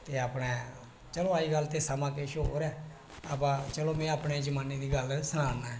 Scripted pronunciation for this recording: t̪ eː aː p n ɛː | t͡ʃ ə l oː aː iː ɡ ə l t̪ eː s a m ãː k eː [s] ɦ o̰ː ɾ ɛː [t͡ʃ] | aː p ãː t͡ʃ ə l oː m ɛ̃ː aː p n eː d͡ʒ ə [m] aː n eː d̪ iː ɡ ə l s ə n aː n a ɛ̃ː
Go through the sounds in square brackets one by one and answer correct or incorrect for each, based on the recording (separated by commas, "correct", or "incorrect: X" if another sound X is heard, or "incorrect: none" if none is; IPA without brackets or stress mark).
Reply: incorrect: ʃ, incorrect: none, correct